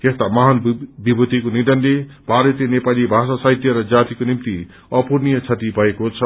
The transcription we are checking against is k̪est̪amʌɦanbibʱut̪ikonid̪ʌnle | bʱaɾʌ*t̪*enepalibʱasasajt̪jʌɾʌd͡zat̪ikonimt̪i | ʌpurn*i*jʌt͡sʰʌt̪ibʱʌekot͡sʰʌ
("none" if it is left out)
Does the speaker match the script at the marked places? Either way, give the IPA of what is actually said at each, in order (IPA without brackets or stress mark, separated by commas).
t̪, i